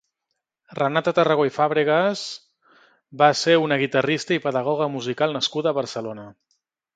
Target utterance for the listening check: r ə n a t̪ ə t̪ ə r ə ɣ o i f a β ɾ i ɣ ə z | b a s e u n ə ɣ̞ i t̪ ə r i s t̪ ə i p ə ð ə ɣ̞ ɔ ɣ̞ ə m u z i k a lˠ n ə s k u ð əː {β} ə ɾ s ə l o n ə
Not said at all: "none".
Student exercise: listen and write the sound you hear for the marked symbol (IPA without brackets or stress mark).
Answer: β